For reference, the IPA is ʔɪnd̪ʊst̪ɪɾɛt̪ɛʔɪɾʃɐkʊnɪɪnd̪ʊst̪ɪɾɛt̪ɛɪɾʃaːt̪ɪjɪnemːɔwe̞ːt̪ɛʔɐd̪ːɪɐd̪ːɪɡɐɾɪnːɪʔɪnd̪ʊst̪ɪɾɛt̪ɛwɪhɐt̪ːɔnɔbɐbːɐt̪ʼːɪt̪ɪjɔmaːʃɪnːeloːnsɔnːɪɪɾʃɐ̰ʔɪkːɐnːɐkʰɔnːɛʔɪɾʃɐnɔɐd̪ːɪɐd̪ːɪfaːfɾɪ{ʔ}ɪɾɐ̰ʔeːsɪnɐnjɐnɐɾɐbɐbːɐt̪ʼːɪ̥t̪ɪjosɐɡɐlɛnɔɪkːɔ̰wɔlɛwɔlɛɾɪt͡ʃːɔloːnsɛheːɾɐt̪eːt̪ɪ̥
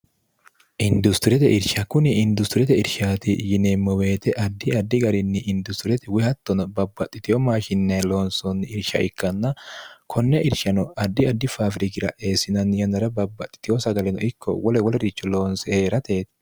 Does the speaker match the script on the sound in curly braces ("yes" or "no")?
no